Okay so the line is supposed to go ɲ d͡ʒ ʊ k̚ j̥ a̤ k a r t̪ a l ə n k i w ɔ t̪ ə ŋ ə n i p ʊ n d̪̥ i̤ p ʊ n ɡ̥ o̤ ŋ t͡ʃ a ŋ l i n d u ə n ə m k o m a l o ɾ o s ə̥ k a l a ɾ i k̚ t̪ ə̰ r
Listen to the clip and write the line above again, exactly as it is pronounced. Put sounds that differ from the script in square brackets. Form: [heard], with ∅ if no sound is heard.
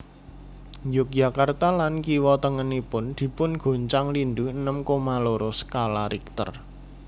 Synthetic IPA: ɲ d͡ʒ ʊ k̚ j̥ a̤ k a r t̪ a l [a] n k i w ɔ t̪ ə ŋ ə n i p ʊ n d̪̥ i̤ p ʊ n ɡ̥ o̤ [ɲ] t͡ʃ a ŋ l i n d u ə n ə m k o m a l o ɾ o s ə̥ k a l a ɾ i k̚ t̪ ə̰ r